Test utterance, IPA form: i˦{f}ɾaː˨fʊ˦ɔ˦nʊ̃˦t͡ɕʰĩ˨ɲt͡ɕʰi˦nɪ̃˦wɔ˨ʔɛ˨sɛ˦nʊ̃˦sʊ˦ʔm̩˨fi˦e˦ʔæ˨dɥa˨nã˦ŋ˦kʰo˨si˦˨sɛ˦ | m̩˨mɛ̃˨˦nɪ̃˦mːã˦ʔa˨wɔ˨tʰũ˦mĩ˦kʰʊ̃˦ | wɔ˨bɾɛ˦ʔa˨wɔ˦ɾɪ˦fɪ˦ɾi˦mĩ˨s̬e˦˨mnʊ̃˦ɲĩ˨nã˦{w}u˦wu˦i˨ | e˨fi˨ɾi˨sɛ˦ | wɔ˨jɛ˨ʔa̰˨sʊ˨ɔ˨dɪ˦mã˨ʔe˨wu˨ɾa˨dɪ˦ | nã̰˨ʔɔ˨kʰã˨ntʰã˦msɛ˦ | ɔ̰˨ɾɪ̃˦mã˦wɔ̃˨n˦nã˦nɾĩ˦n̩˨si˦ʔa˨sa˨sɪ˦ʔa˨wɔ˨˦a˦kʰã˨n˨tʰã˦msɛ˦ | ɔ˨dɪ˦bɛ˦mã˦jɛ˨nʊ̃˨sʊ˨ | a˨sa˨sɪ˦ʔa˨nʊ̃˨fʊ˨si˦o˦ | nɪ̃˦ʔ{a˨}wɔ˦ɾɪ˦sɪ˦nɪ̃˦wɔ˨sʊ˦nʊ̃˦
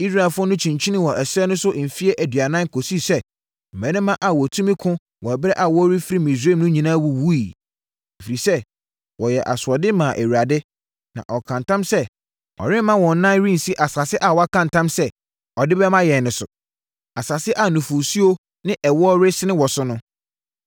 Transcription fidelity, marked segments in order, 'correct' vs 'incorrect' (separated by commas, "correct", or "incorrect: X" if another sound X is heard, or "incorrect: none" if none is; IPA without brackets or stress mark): incorrect: s, correct, incorrect: ɛ˨